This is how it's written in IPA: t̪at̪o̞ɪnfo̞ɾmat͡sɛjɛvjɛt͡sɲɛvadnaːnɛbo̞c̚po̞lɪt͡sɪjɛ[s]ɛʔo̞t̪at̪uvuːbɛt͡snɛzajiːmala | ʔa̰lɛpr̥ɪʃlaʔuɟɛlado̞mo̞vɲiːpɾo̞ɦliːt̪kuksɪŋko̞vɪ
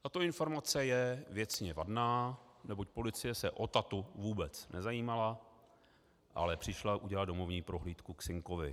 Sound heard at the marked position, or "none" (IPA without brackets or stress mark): s